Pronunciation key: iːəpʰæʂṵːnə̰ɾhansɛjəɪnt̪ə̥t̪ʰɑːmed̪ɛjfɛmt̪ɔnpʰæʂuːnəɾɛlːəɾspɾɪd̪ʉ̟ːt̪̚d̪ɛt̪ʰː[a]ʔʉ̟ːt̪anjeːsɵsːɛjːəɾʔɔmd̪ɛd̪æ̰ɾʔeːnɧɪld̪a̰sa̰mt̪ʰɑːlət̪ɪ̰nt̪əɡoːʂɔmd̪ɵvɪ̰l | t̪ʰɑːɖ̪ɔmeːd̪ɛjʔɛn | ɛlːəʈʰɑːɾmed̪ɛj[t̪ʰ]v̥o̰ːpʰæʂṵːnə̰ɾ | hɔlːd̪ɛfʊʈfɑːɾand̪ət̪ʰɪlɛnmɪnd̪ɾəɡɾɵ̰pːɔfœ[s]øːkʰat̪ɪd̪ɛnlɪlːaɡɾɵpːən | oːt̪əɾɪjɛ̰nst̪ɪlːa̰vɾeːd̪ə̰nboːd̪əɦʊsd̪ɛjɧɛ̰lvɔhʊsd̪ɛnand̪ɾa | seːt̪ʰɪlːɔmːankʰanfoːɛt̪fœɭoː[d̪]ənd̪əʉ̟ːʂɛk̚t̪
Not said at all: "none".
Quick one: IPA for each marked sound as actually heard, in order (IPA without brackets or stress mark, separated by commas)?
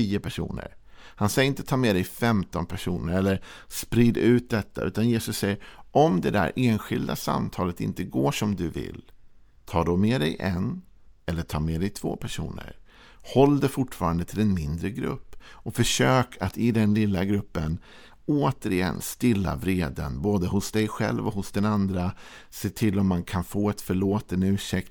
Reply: a, t̪ʰ, ʂ, t̪